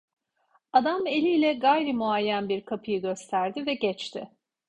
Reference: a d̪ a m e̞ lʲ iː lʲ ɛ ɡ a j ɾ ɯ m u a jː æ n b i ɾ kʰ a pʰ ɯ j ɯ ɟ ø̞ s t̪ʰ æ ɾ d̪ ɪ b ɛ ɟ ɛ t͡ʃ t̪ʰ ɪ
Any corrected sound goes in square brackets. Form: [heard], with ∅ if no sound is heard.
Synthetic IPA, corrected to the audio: a d̪ a m e̞ lʲ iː lʲ ɛ ɡ a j ɾ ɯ m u a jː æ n b i ɾ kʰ a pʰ ɯ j ɯ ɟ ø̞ s t̪ʰ æ ɾ d̪ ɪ [v] ɛ ɟ ɛ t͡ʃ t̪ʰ ɪ